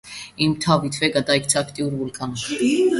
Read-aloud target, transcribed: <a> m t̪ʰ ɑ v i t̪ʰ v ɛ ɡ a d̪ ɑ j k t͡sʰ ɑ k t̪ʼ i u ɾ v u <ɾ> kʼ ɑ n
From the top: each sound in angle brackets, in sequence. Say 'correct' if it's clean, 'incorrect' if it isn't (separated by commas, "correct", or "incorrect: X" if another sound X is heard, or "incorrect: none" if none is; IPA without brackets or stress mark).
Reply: incorrect: i, incorrect: l